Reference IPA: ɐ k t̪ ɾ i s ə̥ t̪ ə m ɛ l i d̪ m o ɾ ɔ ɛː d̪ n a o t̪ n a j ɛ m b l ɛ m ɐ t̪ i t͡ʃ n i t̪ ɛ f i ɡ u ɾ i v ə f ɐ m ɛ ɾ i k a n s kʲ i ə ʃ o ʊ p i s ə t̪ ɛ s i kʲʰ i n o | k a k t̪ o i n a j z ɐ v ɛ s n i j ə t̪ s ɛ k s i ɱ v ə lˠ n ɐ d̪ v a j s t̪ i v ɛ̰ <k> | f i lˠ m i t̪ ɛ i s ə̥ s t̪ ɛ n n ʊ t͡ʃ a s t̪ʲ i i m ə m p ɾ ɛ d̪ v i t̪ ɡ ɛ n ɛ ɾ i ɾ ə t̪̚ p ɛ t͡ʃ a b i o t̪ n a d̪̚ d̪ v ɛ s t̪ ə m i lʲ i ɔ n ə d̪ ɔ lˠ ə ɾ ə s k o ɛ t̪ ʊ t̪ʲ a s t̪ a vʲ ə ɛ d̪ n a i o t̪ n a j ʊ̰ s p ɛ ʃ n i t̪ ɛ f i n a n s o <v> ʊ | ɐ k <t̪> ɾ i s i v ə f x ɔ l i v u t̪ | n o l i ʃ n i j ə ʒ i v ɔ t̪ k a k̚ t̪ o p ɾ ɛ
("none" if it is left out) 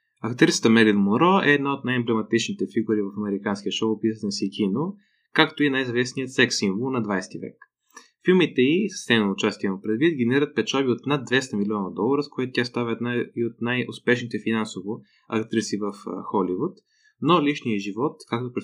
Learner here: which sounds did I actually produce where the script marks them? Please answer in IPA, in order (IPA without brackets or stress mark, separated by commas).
k, v, t̪